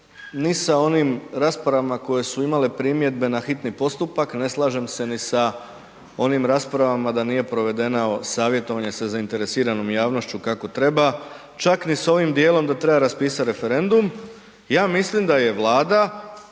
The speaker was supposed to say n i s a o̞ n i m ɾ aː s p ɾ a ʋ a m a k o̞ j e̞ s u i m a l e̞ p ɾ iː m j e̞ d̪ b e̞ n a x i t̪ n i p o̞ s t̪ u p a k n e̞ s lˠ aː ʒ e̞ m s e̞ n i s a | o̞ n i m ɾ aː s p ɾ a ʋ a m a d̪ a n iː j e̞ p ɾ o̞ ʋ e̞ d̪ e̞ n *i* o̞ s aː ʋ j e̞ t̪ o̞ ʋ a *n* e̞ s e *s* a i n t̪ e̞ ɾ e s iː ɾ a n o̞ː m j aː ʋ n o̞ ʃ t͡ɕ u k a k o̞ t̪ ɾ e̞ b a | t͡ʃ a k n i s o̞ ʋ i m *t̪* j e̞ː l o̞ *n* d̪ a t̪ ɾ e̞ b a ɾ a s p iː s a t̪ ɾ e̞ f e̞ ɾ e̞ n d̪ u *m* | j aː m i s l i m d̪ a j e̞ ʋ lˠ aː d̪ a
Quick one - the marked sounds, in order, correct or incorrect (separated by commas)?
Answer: incorrect, incorrect, incorrect, incorrect, incorrect, correct